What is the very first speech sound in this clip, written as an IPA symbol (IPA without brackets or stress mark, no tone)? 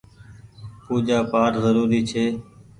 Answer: p